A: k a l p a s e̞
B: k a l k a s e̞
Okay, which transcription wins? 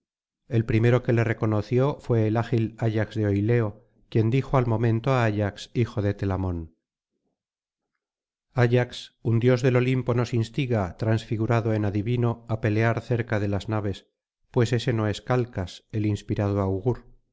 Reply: B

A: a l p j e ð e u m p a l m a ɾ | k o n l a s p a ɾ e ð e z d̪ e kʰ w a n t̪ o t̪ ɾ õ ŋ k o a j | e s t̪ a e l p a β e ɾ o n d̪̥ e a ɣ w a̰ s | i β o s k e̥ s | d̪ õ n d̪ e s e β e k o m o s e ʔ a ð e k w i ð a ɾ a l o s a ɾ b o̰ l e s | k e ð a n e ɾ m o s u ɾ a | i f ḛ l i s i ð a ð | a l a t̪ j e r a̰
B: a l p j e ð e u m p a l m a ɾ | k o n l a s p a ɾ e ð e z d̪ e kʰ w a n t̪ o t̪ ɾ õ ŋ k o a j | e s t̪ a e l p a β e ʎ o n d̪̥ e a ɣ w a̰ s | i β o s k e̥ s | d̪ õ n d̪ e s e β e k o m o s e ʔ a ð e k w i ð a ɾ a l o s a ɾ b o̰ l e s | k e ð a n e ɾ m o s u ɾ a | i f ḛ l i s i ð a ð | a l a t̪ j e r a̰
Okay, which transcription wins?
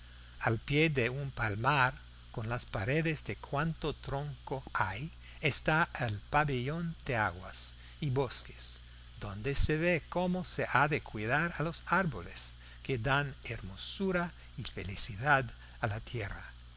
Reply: B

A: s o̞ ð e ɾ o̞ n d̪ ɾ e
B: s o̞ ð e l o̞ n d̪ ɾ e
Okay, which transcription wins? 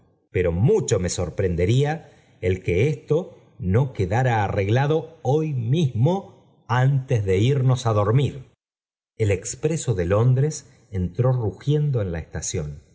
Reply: B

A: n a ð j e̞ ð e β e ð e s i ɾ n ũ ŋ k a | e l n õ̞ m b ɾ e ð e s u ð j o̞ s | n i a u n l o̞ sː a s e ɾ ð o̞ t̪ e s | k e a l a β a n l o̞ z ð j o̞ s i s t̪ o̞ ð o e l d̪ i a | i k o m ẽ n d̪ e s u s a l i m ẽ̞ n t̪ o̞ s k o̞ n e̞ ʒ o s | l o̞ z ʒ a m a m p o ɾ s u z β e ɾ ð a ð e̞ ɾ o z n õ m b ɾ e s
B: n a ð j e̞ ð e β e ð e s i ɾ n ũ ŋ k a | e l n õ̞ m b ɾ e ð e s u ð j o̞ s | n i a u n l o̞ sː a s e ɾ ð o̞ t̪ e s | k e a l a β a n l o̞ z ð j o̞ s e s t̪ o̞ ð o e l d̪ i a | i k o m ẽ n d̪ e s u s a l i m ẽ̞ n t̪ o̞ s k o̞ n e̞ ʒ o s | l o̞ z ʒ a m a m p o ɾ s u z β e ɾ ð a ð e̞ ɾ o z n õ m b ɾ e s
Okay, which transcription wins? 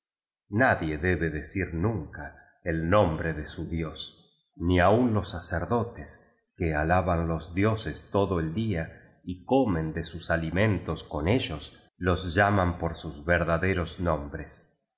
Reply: B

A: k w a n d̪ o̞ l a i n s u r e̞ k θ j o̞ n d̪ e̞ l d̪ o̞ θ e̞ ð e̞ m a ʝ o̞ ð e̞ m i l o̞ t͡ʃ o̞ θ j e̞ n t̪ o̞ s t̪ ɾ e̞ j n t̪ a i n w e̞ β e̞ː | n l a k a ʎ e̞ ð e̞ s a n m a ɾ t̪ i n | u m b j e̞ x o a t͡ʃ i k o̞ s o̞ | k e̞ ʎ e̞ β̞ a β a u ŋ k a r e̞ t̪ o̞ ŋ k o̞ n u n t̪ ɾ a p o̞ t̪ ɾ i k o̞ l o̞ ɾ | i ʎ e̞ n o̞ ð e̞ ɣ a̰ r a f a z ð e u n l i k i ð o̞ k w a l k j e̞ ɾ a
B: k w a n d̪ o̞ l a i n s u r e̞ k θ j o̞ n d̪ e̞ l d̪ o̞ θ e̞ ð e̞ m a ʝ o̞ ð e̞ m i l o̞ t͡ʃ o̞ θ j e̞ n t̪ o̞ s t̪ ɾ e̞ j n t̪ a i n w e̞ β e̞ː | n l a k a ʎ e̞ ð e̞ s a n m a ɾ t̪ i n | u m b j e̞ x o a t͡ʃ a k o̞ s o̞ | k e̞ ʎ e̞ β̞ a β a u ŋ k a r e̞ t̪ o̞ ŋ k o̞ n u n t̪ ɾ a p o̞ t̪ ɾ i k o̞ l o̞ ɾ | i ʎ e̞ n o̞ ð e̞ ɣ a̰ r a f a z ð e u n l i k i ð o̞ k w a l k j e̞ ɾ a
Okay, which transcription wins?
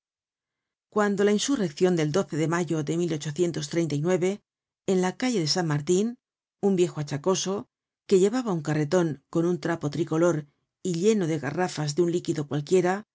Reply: B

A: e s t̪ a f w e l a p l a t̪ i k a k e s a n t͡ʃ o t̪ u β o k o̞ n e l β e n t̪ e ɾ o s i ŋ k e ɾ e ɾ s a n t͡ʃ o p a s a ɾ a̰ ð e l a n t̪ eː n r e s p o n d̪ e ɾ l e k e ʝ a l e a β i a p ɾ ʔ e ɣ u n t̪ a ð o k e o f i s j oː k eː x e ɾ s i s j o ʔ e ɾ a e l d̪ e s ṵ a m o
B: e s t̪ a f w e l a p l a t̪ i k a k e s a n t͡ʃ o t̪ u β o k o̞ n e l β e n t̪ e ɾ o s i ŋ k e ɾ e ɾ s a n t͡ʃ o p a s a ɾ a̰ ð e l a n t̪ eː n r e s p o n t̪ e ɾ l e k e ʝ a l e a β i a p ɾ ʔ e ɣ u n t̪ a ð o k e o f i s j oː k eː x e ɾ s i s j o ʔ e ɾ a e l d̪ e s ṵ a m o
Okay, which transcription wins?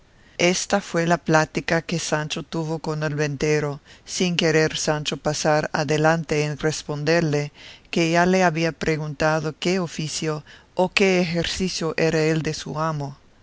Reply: A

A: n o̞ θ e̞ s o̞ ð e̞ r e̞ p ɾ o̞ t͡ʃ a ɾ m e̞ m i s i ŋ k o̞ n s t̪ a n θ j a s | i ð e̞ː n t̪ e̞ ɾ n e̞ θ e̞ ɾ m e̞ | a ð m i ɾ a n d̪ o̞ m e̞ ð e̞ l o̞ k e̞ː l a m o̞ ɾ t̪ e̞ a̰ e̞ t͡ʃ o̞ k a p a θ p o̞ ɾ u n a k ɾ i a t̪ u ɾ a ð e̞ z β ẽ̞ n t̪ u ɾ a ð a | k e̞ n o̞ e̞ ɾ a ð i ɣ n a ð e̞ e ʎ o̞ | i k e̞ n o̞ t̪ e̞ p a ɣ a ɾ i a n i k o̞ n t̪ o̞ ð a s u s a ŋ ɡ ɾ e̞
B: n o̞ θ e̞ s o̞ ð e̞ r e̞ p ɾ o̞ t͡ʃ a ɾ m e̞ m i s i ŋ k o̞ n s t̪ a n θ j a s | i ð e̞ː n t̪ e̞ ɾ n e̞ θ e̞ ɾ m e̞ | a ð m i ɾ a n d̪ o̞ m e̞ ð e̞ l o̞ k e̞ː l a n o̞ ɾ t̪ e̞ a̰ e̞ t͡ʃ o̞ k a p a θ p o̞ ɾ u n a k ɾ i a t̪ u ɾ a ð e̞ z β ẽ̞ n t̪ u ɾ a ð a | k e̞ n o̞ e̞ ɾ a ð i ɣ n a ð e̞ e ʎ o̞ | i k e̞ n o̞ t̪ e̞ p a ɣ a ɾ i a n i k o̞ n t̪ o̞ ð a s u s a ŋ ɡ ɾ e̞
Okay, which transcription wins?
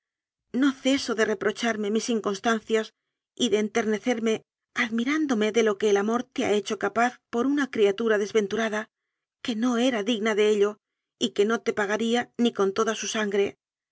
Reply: A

